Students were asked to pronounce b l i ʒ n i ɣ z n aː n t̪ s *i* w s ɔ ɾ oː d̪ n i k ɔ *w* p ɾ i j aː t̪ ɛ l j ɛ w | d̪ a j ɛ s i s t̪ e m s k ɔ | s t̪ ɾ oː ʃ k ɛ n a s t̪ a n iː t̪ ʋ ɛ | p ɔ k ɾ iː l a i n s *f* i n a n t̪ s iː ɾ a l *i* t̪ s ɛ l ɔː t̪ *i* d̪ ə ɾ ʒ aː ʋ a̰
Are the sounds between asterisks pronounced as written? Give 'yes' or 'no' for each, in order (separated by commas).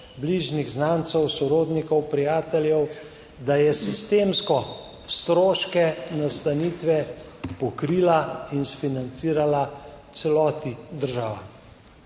no, yes, yes, no, yes